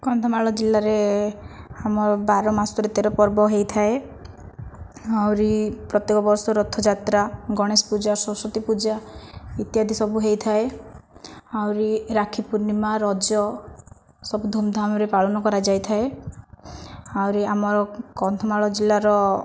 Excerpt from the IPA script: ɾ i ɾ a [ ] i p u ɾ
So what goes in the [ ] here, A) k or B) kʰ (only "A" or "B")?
B